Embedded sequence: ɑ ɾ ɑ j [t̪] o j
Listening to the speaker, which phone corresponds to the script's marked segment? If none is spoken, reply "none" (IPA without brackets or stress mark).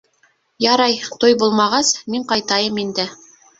t̪